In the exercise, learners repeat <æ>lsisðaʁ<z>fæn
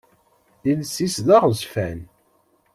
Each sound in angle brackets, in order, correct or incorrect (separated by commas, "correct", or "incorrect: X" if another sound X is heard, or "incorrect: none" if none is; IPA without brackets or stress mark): incorrect: i, correct